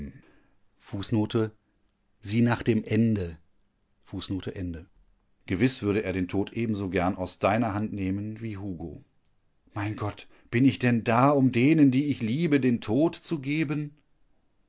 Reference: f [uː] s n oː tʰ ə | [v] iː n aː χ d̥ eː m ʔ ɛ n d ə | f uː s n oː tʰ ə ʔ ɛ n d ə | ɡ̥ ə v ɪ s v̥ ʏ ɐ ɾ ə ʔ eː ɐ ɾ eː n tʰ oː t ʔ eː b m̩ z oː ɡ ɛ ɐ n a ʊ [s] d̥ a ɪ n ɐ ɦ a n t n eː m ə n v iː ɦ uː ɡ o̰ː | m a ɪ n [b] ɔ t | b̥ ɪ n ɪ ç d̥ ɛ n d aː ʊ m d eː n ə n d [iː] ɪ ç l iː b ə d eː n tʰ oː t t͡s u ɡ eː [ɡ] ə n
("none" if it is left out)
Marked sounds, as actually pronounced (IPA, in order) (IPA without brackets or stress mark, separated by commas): uː, z, s, ɡ, iː, b